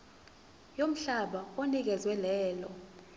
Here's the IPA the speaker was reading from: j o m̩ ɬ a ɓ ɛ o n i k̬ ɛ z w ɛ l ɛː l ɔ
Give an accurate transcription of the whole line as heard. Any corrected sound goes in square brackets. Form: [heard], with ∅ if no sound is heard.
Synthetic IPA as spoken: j o m̩ ɬ a ɓ [a] o n i k̬ ɛ z w ɛ l ɛː l ɔ